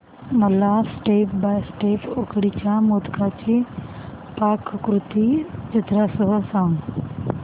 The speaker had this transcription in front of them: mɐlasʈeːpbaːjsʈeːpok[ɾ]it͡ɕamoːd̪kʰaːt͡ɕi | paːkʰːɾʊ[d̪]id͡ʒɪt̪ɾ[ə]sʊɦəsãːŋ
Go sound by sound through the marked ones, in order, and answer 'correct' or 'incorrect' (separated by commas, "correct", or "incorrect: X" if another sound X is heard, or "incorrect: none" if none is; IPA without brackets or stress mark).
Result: incorrect: ɽ, incorrect: t̪, incorrect: a